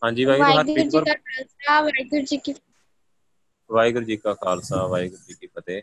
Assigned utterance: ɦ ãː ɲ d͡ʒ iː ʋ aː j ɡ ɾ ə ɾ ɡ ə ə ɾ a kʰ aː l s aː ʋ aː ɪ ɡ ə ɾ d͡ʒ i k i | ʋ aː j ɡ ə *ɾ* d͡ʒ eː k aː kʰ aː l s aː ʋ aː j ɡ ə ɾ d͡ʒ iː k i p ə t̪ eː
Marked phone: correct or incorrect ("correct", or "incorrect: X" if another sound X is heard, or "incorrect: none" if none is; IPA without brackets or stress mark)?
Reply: correct